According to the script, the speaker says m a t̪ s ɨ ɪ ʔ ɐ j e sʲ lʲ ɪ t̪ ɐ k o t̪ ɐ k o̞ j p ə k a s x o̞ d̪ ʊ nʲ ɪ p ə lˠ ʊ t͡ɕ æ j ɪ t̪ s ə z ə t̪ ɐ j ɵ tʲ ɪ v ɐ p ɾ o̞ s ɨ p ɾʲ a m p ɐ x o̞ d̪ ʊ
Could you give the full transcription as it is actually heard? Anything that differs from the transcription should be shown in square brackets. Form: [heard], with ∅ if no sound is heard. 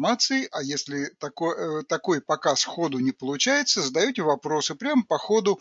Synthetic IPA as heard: m a t̪ s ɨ ɪ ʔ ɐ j e sʲ lʲ ɪ t̪ ɐ k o t̪ ɐ k o̞ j p [ɐ] k a s x o̞ d̪ ʊ nʲ ɪ p ə lˠ ʊ t͡ɕ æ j ɪ t̪ s ə z ə [d̪] ɐ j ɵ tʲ ɪ v ɐ p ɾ o̞ s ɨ p ɾʲ a m p ɐ x o̞ d̪ ʊ